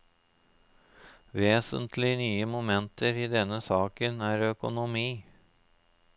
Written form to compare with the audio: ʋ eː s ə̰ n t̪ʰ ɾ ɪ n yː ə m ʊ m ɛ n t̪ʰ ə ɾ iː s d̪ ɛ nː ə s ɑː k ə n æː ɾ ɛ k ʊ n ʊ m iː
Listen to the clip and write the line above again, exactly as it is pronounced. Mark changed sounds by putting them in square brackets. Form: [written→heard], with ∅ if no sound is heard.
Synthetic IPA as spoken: ʋ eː s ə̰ n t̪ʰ [ɾ→l] ɪ n yː ə m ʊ m ɛ n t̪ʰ ə ɾ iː [s→∅] d̪ ɛ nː ə s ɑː k ə n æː ɾ [ɛ→œ] k ʊ n ʊ m iː